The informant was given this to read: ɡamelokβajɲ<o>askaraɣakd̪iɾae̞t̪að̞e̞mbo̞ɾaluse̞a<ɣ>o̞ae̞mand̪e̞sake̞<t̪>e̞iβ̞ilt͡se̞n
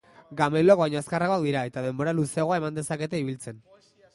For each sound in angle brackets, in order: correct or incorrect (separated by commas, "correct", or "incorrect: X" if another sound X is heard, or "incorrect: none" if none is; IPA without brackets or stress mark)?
correct, correct, correct